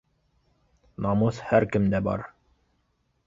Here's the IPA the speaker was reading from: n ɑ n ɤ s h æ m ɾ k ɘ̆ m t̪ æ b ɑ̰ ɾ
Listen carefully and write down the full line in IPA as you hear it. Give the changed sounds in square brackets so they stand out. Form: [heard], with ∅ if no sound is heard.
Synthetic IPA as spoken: n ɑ [m] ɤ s h æ [∅] ɾ k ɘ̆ m [d̪] æ b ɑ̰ ɾ